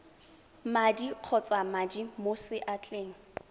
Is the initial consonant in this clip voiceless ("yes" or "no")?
no